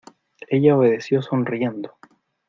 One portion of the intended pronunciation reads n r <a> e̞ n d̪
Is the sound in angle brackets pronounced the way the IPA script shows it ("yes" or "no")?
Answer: no